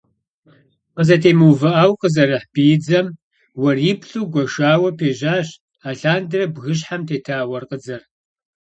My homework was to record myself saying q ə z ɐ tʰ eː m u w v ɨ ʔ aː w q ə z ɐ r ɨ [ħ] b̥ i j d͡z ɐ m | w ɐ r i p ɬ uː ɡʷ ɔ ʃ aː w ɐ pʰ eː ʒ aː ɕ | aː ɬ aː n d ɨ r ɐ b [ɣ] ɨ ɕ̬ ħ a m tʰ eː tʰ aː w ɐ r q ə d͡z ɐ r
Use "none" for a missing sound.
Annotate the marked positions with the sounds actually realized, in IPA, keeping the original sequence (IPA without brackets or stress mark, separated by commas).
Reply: ħ, ɣ